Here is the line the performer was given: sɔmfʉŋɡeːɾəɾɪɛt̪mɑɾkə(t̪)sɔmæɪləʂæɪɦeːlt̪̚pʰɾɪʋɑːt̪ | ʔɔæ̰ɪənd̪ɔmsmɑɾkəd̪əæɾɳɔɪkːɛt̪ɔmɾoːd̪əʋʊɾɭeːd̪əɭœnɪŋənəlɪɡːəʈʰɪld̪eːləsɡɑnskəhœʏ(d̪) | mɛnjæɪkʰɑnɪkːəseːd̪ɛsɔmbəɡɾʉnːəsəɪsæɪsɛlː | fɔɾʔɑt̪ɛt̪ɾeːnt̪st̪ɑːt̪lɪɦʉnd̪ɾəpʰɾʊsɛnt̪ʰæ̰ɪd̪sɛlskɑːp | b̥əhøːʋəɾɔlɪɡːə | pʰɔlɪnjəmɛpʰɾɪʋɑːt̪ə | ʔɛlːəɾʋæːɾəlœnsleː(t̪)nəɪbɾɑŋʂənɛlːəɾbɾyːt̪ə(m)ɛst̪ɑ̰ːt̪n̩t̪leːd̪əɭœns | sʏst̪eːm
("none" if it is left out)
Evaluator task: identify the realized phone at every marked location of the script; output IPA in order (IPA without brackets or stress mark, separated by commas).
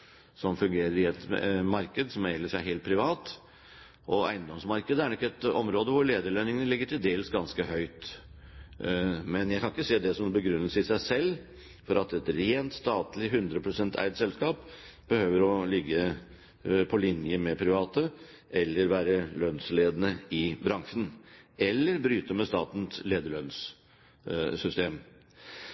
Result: d̪, t̪, d̪, m